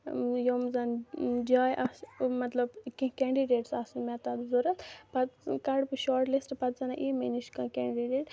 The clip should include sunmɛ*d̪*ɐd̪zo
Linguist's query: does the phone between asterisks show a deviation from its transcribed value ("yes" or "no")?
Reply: yes